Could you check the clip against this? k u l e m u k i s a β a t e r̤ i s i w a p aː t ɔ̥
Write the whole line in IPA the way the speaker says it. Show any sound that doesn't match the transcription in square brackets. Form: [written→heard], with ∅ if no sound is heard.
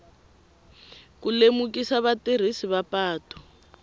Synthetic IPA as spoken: k u l e m u k i s a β a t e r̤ i s i [w→β] a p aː t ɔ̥